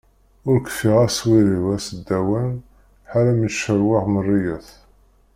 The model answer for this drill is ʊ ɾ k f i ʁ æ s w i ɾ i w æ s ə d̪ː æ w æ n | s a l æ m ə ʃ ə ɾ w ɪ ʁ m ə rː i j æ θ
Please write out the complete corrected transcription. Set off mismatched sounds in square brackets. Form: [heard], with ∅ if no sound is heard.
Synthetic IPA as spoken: ʊ ɾ k f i ʁ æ s w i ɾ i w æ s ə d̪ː æ w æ n | [ħ] a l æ m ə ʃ ə ɾ w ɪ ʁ m ə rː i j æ θ